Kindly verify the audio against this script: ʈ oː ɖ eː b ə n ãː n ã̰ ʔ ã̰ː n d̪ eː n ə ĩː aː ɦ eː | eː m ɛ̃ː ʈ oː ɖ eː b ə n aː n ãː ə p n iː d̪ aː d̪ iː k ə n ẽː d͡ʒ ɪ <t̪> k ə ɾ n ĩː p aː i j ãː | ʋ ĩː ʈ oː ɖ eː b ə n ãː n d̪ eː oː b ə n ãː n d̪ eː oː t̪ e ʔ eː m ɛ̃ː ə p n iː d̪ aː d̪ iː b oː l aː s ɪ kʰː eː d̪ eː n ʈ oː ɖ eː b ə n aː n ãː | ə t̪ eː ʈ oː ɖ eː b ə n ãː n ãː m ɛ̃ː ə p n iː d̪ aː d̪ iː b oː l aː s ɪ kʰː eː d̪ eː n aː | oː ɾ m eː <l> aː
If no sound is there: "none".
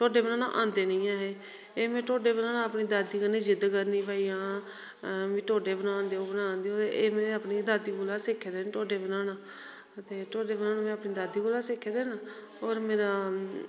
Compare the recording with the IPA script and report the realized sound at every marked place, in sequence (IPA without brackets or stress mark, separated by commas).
d̪, ɾ